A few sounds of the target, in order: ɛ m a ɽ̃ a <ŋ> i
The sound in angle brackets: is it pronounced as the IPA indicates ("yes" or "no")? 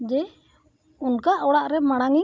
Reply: yes